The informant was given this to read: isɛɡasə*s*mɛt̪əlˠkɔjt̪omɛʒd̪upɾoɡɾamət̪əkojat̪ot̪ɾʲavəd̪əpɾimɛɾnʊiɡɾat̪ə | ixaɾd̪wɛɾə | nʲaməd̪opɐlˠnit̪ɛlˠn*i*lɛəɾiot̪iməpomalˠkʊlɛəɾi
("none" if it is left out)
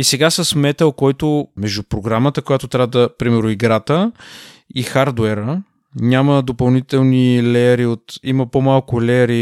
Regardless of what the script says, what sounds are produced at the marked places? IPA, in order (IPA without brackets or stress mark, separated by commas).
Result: s, i